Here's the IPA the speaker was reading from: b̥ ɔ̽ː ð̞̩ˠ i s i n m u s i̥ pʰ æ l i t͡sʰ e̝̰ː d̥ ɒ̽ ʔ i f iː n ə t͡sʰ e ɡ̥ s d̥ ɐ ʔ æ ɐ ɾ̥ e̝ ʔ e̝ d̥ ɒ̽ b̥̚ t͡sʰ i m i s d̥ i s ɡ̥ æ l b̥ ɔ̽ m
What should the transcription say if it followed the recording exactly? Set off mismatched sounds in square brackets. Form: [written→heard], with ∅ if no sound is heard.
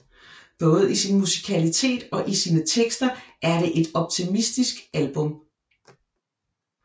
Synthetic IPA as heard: b̥ ɔ̽ː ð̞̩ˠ i s i n m u s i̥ [pʰ→kʰ] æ l i t͡sʰ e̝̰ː d̥ ɒ̽ ʔ i [f→s] iː n ə t͡sʰ e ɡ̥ s d̥ ɐ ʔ æ ɐ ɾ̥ e̝ ʔ e̝ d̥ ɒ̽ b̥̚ t͡sʰ i m i s d̥ i s ɡ̥ æ l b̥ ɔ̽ m